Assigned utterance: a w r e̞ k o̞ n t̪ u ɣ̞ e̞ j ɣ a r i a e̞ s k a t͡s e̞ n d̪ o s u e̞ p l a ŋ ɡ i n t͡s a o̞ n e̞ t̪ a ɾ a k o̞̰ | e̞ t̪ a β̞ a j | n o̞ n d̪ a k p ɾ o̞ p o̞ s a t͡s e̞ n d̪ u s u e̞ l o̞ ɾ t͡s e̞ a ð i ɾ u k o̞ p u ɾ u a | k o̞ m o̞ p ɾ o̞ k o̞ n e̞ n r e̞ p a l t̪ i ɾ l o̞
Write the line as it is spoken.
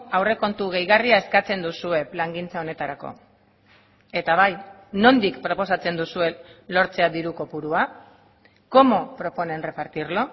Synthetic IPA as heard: a w r e̞ k o̞ n t̪ u ɣ̞ e̞ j ɣ a r i a e̞ s k a t͡s e̞ n d̪ u s u e̞ p l a ŋ ɡ i n t͡s a o̞ n e̞ t̪ a ɾ a k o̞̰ | e̞ t̪ a β̞ a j | n o̞ n d̪ i k p ɾ o̞ p o̞ s a t͡s e̞ n d̪ u s u e̞ l o̞ ɾ t͡s e̞ a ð i ɾ u k o̞ p u ɾ u a | k o̞ m o̞ p ɾ o̞ p o̞ n e̞ n r e̞ p a ɾ t̪ i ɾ l o̞